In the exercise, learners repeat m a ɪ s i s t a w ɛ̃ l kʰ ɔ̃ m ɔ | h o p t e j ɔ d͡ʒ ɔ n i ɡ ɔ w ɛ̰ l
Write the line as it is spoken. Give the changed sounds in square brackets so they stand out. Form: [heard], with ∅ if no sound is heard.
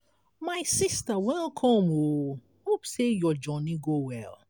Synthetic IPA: m a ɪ s i s t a w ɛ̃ l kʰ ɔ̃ m [o] | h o p [s] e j ɔ d͡ʒ ɔ n i ɡ [o] w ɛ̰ l

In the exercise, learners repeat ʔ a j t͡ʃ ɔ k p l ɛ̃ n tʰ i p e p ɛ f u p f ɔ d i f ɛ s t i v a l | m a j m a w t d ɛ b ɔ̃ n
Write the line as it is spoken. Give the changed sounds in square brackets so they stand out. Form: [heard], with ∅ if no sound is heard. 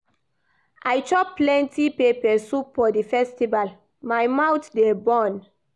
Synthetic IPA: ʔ a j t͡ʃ ɔ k p l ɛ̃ n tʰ i p e p ɛ [s] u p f ɔ d i f ɛ s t i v a l | m a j m a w t d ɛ b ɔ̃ n

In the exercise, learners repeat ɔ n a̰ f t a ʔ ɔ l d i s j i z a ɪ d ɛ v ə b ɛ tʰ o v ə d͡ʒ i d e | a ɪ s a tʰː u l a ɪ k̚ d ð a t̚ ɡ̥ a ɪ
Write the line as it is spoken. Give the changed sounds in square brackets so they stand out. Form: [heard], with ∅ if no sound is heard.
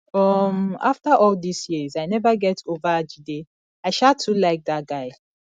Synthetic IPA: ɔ [m] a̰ f t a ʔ ɔ l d i s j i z a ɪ [n] ɛ v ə [ɡ] ɛ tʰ o v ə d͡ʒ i d e | a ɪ [ʃ] a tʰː u l a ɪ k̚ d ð a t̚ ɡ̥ a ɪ

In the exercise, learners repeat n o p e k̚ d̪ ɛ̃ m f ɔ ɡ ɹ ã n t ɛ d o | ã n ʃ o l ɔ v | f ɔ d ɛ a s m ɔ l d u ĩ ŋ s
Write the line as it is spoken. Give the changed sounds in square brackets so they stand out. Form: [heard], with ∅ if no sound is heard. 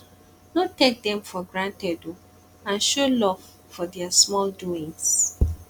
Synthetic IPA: n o [t] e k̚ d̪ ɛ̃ m f ɔ ɡ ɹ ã n t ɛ d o | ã n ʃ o l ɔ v | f ɔ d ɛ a s m ɔ l d u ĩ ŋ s

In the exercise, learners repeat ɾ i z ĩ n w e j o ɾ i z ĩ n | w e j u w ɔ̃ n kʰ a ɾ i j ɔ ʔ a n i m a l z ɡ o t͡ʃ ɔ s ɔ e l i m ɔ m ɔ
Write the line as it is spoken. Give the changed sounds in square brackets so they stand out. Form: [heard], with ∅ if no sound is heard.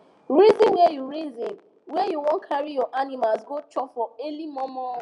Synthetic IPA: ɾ i z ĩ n w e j [u] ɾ i z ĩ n | w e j u w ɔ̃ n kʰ a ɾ i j ɔ ʔ a n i m a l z ɡ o t͡ʃ ɔ [f] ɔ e l i m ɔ m ɔ

